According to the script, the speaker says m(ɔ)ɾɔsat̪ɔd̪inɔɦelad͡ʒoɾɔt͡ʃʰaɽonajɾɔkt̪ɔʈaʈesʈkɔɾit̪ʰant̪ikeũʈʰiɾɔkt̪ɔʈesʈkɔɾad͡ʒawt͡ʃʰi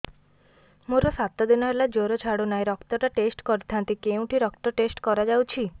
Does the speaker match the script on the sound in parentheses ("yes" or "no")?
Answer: no